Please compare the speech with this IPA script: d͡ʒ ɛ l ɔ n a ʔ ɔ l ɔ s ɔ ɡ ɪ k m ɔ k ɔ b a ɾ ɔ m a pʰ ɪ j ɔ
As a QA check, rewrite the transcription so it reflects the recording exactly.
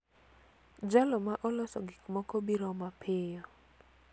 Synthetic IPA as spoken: d͡ʒ a l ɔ m a ʔ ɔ l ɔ s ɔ ɡ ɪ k m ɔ k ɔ b i ɾ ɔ m a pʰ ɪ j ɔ